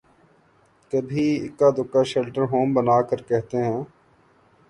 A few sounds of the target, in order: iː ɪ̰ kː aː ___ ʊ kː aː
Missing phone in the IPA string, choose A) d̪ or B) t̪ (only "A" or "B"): A